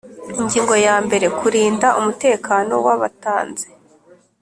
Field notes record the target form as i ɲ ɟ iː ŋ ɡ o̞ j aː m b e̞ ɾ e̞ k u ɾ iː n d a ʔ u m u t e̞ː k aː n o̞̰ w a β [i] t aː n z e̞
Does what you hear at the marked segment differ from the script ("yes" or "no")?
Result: yes